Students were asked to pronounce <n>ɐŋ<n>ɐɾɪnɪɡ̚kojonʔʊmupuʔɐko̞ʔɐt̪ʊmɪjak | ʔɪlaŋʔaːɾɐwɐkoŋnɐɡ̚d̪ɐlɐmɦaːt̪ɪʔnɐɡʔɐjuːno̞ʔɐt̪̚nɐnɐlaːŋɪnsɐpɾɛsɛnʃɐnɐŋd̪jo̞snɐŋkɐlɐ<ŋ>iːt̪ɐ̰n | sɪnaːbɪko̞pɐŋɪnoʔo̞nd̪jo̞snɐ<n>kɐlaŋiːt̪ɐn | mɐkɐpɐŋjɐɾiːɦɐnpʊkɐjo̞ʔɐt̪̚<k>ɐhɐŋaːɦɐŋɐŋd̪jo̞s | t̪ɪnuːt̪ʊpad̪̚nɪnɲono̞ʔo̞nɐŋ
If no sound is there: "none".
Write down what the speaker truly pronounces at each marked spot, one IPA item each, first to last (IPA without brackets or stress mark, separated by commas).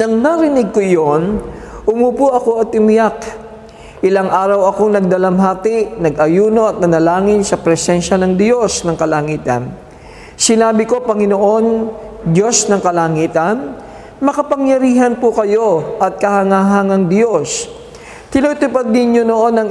n, n, ŋ, ŋ, k